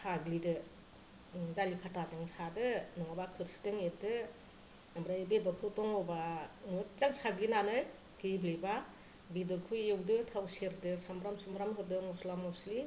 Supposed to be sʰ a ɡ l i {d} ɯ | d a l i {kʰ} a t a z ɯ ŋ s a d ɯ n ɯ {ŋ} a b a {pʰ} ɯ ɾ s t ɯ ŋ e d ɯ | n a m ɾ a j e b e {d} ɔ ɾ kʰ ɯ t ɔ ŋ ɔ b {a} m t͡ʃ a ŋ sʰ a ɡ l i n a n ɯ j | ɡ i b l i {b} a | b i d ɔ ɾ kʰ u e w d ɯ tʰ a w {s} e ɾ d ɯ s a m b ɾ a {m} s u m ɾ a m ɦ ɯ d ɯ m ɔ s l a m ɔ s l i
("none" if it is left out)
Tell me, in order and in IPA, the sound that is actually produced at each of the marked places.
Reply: d, kʰ, ŋ, kʰ, d, a, b, s, m

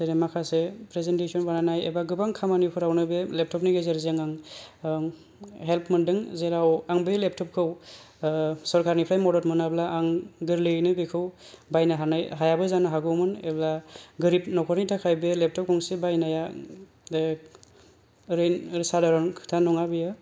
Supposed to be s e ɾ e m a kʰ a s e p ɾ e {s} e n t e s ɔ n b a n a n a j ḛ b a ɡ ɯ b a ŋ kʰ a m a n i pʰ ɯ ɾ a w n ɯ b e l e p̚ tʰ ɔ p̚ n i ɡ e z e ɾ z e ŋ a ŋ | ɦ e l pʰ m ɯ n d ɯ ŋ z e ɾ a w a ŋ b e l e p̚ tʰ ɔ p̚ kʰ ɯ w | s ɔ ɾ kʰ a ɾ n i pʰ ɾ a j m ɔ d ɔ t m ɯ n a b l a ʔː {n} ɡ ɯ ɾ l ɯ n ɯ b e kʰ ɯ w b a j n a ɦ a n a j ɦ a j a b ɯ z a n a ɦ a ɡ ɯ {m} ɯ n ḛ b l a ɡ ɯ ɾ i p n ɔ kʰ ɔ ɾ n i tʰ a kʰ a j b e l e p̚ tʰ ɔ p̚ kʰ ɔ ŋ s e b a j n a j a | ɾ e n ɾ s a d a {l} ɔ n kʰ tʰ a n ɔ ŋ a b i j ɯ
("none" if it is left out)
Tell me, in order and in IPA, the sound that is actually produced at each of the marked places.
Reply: z, ŋ, m, ɾ

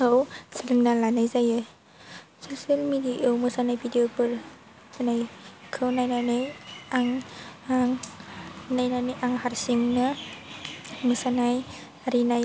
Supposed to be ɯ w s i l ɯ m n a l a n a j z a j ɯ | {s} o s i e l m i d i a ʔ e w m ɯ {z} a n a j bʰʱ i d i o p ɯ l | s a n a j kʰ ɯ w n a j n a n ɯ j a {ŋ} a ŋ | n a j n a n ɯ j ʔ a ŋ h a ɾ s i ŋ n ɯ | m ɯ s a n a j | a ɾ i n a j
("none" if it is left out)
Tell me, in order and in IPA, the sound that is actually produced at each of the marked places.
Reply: s, s, ŋ

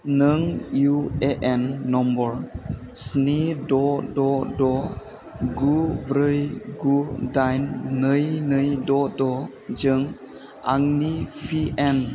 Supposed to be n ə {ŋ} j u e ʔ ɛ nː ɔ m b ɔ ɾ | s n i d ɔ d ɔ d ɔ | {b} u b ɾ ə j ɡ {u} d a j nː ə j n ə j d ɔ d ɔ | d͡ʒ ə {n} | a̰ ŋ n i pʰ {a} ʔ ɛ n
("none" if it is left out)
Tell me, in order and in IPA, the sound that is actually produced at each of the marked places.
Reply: ŋ, ɡ, u, ŋ, i

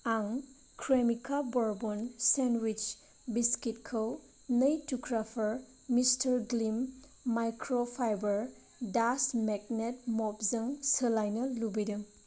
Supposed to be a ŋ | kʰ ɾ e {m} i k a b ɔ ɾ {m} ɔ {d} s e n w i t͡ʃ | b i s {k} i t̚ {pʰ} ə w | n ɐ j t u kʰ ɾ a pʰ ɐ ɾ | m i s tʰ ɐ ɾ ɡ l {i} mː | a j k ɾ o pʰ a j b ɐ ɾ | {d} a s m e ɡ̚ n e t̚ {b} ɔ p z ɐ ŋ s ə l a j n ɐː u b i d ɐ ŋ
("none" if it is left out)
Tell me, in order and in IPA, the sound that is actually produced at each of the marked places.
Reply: m, b, n, k, kʰ, i, d, m

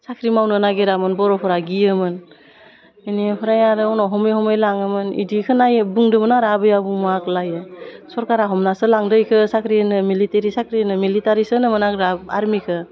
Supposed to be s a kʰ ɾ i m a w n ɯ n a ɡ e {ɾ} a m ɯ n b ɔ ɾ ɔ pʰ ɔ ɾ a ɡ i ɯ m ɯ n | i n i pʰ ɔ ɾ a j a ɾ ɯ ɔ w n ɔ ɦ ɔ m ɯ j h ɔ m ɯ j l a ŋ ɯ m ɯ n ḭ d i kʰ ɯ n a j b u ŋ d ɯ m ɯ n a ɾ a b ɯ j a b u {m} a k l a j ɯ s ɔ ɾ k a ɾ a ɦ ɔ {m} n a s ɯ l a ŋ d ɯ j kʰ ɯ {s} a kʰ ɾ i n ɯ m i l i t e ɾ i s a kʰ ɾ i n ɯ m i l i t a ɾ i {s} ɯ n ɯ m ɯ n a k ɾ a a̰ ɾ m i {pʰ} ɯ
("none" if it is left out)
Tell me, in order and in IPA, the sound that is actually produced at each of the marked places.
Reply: ɾ, m, m, s, s, kʰ

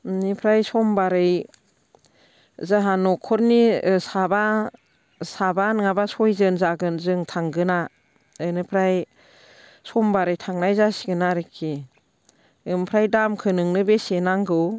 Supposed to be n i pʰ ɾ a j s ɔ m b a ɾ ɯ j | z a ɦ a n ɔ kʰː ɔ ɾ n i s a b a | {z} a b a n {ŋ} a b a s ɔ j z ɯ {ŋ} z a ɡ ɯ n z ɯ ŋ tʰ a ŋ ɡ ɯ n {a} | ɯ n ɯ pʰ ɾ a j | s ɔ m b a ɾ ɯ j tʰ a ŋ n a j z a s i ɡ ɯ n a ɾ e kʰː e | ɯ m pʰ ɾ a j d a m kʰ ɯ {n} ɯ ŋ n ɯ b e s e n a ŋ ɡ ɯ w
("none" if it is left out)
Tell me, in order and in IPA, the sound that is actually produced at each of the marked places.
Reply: s, ŋ, n, a, n

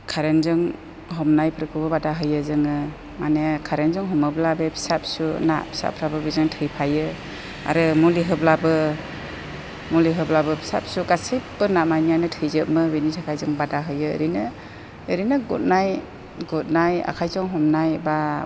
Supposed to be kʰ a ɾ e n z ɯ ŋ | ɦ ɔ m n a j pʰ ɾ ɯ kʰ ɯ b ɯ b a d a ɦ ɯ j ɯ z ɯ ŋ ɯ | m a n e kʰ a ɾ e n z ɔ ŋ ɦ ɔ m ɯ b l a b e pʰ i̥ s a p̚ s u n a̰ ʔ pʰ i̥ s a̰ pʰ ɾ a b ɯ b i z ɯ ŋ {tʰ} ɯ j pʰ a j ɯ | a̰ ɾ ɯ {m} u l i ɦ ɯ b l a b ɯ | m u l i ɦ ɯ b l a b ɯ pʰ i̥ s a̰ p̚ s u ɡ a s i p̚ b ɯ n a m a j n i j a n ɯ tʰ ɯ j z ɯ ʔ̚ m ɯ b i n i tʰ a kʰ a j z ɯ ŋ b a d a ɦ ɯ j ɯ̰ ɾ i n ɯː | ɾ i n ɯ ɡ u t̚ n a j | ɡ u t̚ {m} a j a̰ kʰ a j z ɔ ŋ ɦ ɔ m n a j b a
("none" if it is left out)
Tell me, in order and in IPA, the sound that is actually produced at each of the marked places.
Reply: tʰ, m, n

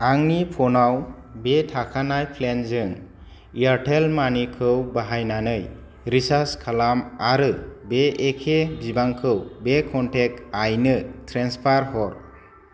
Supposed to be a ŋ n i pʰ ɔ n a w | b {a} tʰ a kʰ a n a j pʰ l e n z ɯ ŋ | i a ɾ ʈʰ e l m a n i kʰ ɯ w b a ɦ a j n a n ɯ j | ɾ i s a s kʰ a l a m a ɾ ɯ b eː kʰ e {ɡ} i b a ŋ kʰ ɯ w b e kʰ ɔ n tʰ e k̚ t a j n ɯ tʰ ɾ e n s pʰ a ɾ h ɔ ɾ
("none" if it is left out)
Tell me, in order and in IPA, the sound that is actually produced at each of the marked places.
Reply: e, b

